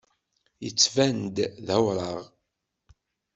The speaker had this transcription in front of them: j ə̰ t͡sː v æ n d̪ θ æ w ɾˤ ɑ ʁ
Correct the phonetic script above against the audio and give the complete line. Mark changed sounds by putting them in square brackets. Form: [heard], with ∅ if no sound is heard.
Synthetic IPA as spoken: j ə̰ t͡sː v æ n d̪ [ð] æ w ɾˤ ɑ ʁ